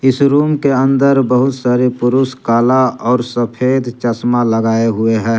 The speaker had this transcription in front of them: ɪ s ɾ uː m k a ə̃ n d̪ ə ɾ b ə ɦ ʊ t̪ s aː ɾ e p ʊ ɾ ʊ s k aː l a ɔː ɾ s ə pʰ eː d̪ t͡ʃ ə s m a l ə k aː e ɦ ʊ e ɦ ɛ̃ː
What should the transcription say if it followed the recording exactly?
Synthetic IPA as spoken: ɪ s ɾ uː m k e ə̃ n d̪ ə ɾ b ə ɦ ʊ t̪ s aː ɾ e p ʊ ɾ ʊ s k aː l a ɔː ɾ s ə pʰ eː d̪ t͡ʃ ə s m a l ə ɡ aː e ɦ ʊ e ɦ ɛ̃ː